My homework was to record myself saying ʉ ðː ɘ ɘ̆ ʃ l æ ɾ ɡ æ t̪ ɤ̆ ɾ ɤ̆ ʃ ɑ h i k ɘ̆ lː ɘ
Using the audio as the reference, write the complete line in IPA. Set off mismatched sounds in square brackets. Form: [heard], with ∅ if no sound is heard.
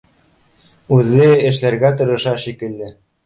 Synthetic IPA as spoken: ʉ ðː ɘ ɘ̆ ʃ l æ ɾ ɡ æ t̪ ɤ̆ ɾ ɤ̆ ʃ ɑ [ʃ] i k ɘ̆ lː ɘ